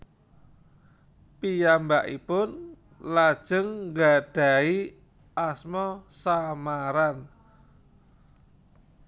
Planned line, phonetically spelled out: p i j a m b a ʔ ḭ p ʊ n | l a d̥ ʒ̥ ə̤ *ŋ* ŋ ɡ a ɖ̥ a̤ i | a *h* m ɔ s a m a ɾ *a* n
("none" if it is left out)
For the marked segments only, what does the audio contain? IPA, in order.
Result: ŋ, s, a

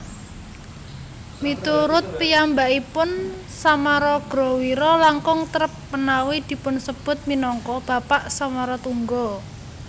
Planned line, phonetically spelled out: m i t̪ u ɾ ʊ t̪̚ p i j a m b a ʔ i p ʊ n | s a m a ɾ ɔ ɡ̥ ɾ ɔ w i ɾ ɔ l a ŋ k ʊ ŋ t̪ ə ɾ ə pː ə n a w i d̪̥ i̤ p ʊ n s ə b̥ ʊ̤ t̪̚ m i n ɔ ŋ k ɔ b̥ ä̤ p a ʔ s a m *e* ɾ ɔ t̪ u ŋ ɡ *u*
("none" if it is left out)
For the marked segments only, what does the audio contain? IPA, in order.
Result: a, ɔ

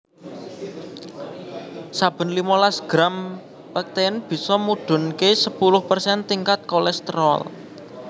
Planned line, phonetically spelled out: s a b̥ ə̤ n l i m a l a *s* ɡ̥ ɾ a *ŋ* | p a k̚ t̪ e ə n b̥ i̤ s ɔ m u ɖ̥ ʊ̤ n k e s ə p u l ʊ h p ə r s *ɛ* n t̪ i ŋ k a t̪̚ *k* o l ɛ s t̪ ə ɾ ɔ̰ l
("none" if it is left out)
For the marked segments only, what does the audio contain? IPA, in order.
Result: s, m, ɛ, k

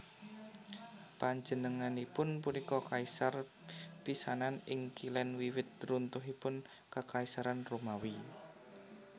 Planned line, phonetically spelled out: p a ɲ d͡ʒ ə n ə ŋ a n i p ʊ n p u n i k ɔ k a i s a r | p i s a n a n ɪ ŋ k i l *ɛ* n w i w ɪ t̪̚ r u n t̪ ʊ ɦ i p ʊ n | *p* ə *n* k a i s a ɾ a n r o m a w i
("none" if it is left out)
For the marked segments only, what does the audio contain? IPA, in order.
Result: ɛ, k, none

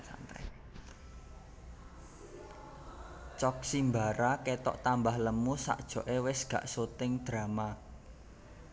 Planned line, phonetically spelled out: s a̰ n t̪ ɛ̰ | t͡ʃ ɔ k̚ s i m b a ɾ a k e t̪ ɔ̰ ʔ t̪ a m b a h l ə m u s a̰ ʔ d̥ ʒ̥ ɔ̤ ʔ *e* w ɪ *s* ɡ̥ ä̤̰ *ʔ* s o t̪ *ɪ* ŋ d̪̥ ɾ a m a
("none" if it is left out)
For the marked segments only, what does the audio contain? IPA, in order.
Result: e, s, ʔ, ɪ

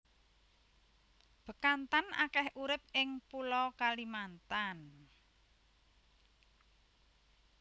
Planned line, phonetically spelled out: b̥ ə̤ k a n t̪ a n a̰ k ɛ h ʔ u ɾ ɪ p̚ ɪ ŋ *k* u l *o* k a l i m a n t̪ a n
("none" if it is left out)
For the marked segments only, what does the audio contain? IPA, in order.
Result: p, ɔ

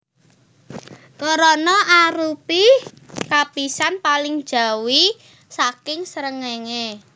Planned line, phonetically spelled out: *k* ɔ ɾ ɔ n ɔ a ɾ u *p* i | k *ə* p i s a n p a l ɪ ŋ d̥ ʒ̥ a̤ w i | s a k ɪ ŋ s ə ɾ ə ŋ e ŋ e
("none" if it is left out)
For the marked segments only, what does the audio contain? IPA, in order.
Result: k, p, a

